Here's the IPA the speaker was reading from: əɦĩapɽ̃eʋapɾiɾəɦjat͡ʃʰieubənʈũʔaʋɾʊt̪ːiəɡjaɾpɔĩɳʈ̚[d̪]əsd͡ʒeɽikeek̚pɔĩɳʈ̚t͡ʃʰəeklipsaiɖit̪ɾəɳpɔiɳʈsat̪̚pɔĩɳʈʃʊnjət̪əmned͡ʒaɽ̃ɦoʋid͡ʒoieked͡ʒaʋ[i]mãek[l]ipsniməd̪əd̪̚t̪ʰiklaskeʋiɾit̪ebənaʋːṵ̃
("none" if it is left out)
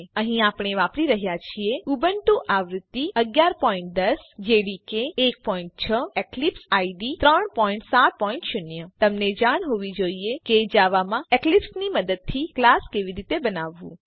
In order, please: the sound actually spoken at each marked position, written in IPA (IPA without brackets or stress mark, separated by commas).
d̪, a, l